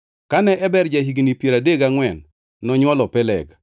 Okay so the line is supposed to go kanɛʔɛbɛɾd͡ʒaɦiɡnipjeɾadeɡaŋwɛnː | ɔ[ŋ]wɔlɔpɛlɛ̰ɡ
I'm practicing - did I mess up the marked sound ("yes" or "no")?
yes